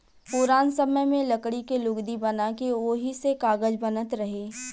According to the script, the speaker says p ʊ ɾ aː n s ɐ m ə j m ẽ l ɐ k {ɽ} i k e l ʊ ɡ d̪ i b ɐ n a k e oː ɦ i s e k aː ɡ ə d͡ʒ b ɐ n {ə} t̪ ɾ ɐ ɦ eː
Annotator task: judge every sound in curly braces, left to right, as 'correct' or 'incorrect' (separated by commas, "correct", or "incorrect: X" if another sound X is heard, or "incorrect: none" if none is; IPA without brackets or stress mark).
correct, correct